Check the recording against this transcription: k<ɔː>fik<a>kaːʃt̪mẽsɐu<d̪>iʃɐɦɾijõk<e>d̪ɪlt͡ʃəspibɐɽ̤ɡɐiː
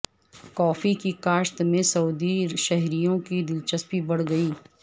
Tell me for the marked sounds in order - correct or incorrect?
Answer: correct, incorrect: i, correct, incorrect: i

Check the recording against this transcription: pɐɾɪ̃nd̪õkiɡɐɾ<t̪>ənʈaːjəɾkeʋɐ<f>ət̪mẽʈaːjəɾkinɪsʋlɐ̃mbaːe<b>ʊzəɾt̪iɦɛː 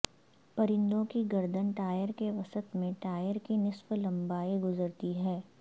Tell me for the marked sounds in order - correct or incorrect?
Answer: incorrect: d̪, incorrect: s, incorrect: ɡ

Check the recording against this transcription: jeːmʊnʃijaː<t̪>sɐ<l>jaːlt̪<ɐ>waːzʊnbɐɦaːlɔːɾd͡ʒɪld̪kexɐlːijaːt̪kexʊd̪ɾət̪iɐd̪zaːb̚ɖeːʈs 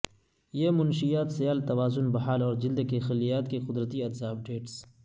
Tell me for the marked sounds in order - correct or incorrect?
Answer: correct, incorrect: none, correct

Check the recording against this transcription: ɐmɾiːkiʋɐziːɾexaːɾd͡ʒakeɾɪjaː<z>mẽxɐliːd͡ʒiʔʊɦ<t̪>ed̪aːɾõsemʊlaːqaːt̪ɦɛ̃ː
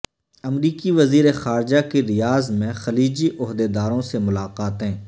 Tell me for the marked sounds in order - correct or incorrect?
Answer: correct, incorrect: d̪

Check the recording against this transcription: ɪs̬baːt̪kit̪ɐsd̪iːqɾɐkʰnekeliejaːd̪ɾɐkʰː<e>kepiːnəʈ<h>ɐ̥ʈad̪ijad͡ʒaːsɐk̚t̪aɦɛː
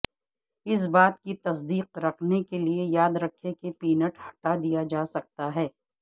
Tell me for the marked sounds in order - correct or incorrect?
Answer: correct, correct

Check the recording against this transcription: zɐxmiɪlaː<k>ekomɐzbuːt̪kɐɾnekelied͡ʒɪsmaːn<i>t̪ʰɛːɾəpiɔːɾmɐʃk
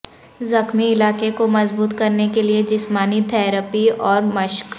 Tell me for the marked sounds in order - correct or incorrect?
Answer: correct, correct

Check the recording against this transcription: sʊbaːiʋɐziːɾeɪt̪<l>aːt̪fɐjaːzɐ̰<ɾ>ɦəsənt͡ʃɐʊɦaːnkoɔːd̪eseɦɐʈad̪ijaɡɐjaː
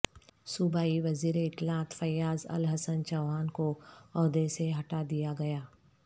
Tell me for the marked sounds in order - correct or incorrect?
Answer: correct, incorrect: l

